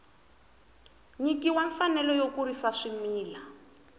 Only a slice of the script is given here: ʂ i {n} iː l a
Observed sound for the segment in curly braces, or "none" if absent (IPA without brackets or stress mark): m